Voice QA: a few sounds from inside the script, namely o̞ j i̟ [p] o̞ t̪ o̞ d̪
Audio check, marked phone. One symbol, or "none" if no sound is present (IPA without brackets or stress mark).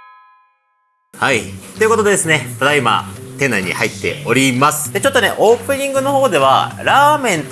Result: k